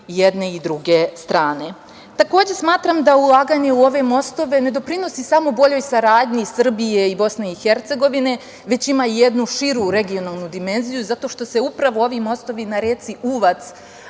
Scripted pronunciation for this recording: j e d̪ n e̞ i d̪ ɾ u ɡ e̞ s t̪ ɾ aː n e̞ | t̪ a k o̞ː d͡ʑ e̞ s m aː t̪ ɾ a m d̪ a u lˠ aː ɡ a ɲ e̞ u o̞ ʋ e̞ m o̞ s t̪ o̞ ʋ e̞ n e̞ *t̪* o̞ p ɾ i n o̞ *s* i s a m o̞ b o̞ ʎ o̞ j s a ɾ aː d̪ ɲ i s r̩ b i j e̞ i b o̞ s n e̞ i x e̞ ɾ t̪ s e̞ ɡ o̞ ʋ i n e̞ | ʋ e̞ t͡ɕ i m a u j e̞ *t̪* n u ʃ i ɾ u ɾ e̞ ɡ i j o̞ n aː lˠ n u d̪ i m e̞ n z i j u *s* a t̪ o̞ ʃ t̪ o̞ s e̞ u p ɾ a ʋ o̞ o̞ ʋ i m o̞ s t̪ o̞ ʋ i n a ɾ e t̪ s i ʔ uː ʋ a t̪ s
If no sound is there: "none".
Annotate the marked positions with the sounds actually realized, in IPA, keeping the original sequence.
d̪, s, d̪, z

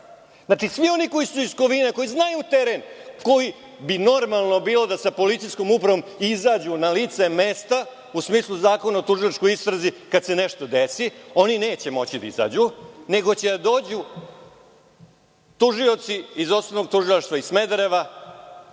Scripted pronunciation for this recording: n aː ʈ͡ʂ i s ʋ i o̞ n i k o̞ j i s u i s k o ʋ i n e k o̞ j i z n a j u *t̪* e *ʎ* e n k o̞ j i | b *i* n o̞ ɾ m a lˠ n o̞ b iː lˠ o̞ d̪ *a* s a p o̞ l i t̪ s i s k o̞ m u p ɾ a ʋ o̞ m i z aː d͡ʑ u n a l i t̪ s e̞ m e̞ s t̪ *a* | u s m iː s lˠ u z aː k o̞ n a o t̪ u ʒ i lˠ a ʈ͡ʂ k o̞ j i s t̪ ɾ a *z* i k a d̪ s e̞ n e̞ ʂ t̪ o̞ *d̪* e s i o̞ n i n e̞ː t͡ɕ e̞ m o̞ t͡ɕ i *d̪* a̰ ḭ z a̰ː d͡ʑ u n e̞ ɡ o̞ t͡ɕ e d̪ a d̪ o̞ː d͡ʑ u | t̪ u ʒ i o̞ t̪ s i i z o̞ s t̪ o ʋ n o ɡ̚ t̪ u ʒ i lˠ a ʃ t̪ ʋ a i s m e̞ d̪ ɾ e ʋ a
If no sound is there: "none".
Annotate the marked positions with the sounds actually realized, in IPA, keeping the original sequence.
t̪, ɾ, i, a, a, z, d̪, d̪

